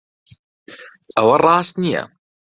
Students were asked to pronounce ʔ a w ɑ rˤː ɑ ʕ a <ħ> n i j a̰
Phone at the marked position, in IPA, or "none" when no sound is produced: s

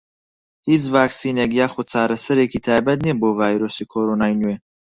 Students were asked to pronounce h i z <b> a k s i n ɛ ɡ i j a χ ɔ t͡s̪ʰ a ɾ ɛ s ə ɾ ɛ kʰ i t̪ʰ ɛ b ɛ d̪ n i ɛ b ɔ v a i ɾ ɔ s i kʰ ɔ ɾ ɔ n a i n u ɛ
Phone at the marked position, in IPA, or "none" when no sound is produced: v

